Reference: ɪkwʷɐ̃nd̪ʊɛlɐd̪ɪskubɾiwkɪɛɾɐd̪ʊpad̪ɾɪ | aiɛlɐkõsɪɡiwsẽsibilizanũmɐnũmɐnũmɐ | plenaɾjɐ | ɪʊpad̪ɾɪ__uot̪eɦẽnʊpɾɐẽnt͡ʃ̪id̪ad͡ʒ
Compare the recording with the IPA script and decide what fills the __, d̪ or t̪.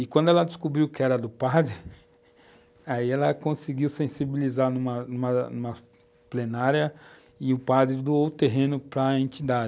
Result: d̪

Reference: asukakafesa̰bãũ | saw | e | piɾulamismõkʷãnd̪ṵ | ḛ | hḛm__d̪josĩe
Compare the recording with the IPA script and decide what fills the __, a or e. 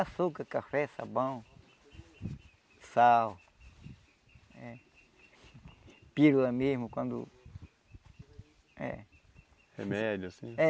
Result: e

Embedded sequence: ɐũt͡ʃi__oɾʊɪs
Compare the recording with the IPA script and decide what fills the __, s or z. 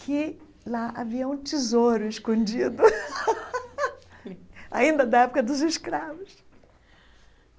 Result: z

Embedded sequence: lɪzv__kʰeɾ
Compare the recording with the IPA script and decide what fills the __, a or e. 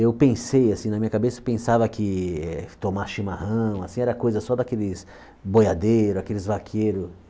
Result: a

